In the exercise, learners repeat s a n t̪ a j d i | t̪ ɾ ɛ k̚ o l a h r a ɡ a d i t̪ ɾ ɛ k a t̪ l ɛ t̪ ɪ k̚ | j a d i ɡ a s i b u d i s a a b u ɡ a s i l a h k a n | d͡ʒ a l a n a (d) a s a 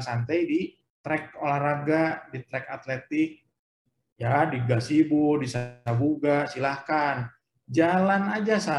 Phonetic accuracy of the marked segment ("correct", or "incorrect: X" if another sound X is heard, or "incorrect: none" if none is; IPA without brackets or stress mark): incorrect: d͡ʒ